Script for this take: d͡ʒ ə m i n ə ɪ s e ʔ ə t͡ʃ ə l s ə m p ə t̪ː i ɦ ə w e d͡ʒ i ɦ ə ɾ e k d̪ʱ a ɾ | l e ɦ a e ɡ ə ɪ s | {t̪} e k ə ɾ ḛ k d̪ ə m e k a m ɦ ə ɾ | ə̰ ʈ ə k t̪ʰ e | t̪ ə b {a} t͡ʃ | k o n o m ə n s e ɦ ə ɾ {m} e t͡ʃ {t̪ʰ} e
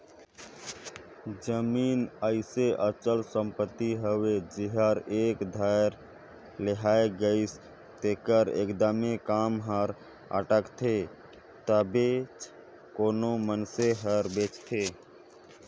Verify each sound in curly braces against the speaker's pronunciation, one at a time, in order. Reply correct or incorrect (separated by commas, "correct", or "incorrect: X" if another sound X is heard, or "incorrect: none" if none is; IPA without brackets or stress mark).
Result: correct, incorrect: e, incorrect: b, correct